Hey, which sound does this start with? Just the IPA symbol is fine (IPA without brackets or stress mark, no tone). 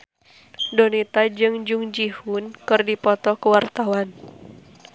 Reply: d